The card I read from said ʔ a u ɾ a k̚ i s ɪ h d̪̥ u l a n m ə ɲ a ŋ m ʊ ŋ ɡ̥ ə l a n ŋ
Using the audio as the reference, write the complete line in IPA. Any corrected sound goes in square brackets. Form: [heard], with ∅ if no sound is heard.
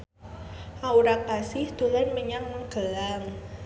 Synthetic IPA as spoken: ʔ a u ɾ a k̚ [a] s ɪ h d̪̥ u l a n m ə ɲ a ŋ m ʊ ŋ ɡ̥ ə l a [∅] ŋ